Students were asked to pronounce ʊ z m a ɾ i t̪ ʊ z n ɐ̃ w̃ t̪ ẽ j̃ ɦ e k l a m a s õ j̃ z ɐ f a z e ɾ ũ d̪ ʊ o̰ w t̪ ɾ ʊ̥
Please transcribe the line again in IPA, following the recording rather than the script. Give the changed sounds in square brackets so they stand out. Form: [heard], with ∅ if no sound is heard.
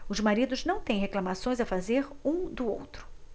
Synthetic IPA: ʊ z m a ɾ i [d̪] ʊ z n ɐ̃ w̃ t̪ ẽ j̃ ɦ e k l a m a s õ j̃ z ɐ f a z e ɾ ũ d̪ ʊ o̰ w t̪ ɾ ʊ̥